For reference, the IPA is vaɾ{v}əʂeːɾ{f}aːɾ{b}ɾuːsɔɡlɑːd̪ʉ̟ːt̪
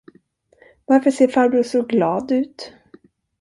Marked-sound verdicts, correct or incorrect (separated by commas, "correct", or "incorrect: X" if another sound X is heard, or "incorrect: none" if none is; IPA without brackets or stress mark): incorrect: f, correct, correct